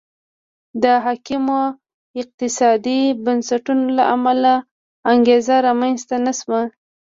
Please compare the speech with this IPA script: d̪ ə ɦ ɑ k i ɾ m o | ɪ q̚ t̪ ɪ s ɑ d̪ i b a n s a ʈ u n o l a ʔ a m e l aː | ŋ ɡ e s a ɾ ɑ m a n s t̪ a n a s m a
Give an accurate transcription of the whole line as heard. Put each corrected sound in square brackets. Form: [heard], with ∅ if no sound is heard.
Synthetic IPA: d̪ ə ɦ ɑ k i [∅] m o | ɪ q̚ t̪ ɪ s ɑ d̪ i b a n s a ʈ u n o l a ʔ a m [a] l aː | ŋ ɡ e [z] a ɾ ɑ m a n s t̪ a n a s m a